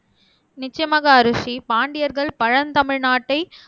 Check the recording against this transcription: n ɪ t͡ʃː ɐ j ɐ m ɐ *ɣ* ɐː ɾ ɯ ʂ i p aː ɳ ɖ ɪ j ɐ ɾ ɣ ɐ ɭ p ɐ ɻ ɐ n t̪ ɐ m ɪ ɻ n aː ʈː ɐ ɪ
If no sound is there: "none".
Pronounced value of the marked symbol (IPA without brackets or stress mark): ɣ